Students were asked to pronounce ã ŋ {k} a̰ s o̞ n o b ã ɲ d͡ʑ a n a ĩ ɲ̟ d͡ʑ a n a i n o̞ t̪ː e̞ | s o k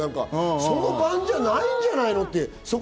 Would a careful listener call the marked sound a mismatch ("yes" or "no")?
no